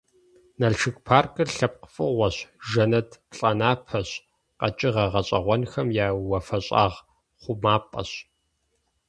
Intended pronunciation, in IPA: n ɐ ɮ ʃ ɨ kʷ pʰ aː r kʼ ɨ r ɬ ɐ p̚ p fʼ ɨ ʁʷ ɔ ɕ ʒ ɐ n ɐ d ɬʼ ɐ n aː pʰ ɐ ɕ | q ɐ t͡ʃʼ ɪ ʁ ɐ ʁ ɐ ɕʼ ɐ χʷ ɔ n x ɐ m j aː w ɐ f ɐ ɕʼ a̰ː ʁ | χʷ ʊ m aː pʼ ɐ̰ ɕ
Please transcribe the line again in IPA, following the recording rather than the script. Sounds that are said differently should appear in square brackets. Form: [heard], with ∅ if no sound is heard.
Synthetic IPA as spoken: n ɐ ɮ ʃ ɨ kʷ pʰ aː r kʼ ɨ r ɬ ɐ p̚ [q] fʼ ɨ ʁʷ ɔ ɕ ʒ ɐ n ɐ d ɬʼ ɐ n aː pʰ ɐ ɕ | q ɐ t͡ʃʼ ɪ ʁ ɐ ʁ ɐ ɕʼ ɐ [ʁʷ] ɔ n x ɐ m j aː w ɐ f ɐ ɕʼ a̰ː ʁ | χʷ ʊ m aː pʼ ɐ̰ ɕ